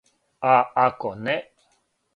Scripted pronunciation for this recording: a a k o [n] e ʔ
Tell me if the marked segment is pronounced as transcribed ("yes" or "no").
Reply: yes